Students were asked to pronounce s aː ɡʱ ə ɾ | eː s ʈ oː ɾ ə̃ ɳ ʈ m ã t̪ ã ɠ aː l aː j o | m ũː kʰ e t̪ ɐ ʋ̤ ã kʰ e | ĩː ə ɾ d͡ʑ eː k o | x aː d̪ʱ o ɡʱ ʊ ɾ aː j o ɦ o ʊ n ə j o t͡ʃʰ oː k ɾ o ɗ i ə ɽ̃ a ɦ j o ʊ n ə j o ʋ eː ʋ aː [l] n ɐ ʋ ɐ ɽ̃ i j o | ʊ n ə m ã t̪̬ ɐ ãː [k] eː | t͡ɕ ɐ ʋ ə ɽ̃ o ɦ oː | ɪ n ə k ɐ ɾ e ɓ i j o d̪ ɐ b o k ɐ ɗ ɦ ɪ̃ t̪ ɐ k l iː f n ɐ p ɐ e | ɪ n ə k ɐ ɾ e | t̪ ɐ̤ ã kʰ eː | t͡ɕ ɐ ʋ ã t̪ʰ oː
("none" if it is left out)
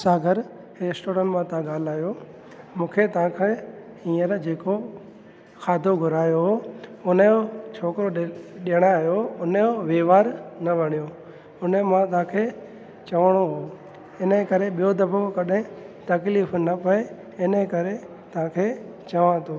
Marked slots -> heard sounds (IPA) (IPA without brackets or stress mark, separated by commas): ɾ, kʰ